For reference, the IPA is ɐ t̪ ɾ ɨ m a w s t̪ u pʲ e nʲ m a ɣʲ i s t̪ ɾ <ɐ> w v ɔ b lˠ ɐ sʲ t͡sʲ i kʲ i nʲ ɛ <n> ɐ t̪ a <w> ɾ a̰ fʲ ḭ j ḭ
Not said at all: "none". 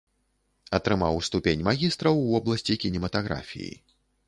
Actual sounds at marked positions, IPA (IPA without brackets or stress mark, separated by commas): ɐ, m, ɣ